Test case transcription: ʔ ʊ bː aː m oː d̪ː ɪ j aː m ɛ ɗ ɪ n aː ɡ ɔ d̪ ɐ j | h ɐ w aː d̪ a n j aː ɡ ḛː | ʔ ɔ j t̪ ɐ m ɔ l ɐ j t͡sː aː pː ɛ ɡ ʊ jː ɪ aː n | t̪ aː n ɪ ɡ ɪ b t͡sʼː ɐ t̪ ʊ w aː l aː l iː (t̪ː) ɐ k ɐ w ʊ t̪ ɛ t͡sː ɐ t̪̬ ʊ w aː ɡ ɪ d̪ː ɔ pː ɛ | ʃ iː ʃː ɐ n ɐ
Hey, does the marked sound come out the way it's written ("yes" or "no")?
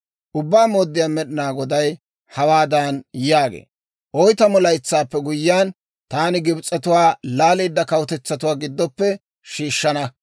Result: no